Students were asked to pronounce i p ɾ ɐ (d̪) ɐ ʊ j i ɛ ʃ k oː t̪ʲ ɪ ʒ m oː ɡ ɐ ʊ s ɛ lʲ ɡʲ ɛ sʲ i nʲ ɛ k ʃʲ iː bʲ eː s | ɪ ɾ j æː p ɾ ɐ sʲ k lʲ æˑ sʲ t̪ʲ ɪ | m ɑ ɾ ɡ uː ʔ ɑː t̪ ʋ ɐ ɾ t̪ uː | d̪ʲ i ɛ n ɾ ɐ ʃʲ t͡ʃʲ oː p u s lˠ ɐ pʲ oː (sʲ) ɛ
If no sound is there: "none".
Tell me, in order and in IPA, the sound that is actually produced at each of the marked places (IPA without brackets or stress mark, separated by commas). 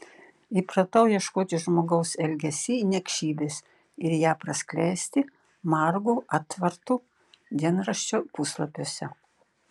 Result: t̪, sʲ